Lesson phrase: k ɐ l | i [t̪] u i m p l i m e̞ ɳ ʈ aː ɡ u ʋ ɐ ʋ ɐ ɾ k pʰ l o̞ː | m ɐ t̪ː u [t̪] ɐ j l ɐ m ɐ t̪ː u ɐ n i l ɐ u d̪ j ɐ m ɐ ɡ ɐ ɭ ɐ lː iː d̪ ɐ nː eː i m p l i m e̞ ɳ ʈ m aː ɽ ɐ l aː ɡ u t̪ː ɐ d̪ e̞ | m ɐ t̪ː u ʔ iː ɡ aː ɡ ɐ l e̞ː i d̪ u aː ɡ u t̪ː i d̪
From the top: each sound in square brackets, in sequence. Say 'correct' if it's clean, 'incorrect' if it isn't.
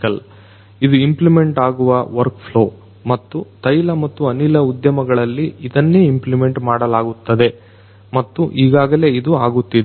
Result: incorrect, correct

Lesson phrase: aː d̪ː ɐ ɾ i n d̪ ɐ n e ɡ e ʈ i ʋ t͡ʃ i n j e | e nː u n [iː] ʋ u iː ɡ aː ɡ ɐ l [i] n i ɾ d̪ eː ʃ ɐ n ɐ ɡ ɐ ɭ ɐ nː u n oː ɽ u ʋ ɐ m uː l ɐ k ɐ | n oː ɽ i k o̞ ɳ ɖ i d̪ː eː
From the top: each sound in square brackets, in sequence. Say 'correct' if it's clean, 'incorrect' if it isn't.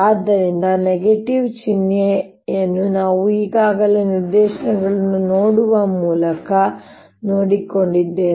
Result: incorrect, incorrect

